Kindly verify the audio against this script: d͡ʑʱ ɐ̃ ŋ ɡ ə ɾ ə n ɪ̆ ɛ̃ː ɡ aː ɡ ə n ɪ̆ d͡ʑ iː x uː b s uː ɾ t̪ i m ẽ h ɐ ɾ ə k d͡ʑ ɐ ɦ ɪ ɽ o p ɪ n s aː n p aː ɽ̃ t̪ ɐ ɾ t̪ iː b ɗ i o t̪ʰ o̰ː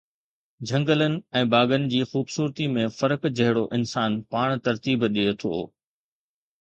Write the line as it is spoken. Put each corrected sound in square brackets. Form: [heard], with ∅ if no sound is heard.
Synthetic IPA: d͡ʑʱ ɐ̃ ŋ ɡ ə [l] ə n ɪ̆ ɛ̃ː [b] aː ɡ ə n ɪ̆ d͡ʑ iː x uː b s uː ɾ t̪ i m ẽ [f] ɐ ɾ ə k d͡ʑ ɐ ɦ ɪ ɽ o [ʔ] ɪ n s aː n p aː ɽ̃ t̪ ɐ ɾ t̪ iː b ɗ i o t̪ʰ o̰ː

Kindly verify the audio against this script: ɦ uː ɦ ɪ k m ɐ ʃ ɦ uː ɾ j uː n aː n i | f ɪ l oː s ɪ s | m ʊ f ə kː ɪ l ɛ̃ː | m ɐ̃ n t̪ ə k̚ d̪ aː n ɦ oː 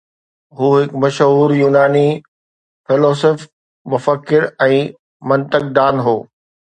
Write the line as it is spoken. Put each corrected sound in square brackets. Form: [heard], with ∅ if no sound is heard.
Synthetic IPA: ɦ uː ɦ ɪ k m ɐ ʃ ɦ uː ɾ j uː n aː n i | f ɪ l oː s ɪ [f] | m ʊ f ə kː ɪ [ɾ] ɛ̃ː | m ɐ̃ n t̪ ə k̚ d̪ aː n ɦ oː

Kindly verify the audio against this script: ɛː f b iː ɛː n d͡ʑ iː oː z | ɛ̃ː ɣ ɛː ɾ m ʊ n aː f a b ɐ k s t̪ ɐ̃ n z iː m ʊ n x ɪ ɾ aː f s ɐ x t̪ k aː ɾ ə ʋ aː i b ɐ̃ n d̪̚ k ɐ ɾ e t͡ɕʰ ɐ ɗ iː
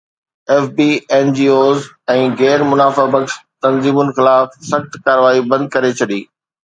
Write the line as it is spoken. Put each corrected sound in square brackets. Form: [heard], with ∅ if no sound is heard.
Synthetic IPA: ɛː f b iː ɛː n d͡ʑ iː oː z | ɛ̃ː ɣ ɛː ɾ m ʊ n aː f a b ɐ k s t̪ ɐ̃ n z iː m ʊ n x ɪ [l] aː f s ɐ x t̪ k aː ɾ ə ʋ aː i b ɐ̃ n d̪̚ k ɐ ɾ e t͡ɕʰ ɐ ɗ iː

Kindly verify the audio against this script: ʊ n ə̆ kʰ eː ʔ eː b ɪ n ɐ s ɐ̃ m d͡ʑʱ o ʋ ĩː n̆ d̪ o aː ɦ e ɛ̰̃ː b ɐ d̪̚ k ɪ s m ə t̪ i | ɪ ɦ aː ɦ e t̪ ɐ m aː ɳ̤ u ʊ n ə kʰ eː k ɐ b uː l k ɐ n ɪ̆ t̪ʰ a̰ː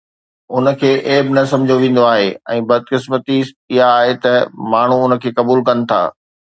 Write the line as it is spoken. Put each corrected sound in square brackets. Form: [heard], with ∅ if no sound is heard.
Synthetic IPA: ʊ n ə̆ kʰ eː ʔ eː b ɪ n ɐ s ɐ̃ m d͡ʑʱ o ʋ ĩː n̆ d̪ o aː ɦ e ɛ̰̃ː b ɐ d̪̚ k ɪ s m ə t̪ i | ɪ ɦ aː ɦ e t̪ ɐ m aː ɳ̤ u ʊ n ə kʰ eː k ɐ b uː l k ɐ n ɪ̆ t̪ʰ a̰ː

